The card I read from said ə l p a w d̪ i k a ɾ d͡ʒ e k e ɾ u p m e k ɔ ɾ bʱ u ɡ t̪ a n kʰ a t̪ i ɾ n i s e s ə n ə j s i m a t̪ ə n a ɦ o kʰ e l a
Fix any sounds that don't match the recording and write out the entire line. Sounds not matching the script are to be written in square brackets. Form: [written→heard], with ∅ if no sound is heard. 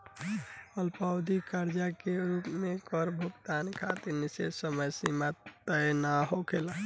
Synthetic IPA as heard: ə l p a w d̪ i k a ɾ d͡ʒ [e→a] k e ɾ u p m e k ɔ ɾ bʱ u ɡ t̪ a n kʰ a t̪ i ɾ n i s e s ə [n→m] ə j s i m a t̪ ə n a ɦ o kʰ e l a